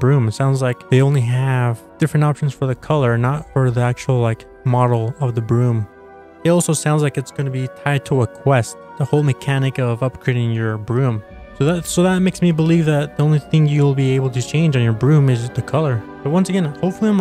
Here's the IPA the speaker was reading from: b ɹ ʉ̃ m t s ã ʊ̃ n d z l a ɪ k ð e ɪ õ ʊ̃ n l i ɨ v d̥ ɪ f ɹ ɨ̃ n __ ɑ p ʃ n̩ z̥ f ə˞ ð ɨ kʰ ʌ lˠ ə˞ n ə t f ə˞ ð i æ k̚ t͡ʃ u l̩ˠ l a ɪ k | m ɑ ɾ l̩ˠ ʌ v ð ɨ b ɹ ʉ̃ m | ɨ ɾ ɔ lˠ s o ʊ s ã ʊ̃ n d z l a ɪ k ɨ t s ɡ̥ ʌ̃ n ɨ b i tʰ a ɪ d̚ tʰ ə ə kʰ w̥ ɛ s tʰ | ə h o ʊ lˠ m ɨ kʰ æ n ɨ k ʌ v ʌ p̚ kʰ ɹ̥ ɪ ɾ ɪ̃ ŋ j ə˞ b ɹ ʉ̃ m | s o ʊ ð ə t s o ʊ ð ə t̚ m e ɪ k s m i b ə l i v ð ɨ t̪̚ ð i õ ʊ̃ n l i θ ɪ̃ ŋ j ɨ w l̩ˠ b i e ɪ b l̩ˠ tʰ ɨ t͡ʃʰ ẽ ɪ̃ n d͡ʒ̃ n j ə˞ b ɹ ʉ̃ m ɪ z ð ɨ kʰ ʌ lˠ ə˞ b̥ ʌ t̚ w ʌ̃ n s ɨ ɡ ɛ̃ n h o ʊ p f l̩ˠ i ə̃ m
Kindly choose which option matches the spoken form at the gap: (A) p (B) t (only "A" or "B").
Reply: B